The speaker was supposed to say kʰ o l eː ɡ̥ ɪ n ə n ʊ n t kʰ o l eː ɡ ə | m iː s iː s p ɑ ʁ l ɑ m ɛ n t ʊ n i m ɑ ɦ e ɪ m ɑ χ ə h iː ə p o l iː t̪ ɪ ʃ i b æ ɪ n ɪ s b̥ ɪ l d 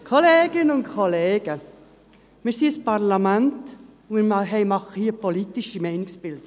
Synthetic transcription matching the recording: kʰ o l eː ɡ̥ ɪ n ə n ʊ n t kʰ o l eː ɡ ə | m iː s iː s p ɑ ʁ l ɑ m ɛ n t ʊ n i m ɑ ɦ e ɪ m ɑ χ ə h iː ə p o l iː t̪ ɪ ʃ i m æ ɪ n ɪ s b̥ ɪ l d